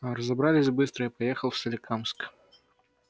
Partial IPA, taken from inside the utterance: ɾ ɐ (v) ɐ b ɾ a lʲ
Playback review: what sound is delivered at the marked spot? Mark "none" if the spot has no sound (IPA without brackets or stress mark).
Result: z